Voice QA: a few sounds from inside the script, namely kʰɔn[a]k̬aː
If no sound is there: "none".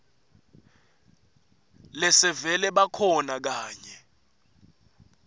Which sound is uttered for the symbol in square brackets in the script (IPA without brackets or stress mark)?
a